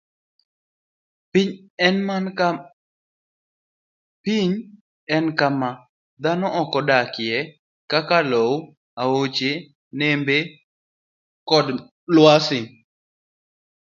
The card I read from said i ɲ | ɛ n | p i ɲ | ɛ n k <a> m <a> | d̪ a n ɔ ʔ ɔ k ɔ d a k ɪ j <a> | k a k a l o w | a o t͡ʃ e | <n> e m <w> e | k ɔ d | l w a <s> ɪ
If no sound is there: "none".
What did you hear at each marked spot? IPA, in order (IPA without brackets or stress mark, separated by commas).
a, a, ɛ, n, b, s